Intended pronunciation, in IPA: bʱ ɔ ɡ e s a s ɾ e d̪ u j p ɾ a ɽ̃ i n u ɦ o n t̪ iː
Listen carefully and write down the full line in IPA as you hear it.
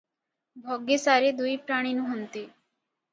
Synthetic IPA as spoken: bʱ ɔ ɡ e s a ɾ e d̪ u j p ɾ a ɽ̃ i n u ɦ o n t̪ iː